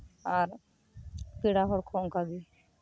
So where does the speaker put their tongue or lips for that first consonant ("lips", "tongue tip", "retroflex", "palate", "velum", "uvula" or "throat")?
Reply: tongue tip